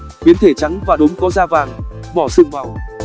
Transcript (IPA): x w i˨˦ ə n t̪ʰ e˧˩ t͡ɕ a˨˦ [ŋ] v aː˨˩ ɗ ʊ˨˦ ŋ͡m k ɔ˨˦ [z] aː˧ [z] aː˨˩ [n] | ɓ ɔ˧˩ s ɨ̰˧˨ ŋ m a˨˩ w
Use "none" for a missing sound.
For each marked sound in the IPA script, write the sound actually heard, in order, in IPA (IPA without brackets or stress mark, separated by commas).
ŋ, z, v, ŋ